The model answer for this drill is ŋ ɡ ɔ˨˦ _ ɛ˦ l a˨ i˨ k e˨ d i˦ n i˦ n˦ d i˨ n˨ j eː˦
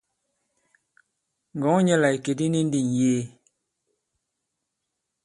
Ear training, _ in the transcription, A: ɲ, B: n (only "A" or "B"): A